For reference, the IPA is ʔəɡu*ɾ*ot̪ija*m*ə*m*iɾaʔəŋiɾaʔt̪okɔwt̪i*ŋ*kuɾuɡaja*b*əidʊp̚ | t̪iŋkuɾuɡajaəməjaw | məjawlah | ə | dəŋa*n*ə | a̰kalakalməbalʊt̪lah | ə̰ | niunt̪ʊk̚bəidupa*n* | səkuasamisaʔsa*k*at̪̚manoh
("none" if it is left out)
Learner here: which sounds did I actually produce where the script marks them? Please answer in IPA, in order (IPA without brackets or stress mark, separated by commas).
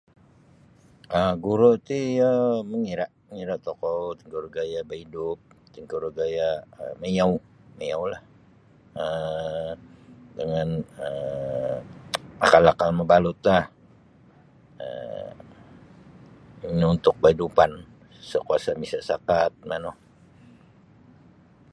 ɾ, m, ŋ, ŋ, b, n, n, k